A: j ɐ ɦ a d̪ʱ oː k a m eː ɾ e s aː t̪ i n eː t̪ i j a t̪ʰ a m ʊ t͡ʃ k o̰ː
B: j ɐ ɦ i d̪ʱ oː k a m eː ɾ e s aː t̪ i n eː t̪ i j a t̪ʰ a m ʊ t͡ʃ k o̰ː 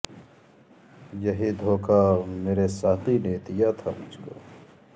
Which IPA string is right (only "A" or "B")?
B